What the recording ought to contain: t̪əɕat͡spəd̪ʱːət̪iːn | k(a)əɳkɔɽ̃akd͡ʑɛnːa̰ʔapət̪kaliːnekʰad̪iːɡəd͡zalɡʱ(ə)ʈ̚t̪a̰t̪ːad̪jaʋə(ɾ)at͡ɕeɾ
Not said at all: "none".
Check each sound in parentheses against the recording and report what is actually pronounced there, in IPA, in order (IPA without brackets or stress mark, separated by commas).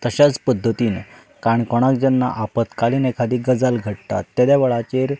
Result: a, ə, ɭ